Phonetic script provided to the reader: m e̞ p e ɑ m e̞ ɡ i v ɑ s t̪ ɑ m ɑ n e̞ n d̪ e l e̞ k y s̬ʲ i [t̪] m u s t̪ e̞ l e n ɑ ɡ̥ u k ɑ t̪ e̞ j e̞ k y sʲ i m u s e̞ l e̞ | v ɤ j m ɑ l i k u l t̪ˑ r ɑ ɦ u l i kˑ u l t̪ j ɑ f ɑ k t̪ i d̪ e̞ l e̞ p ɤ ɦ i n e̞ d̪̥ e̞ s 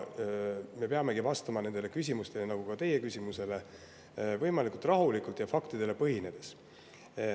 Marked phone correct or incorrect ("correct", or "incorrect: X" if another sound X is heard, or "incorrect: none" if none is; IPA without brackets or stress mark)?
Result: incorrect: none